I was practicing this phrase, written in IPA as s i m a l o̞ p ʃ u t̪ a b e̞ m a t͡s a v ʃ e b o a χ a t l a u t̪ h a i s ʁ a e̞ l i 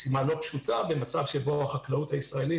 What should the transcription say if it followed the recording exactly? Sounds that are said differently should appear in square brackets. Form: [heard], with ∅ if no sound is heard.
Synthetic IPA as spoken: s i m a l o̞ p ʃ u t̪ a b e̞ m a t͡s a v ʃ e b o a χ a [k] l a u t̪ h a i s ʁ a e̞ l i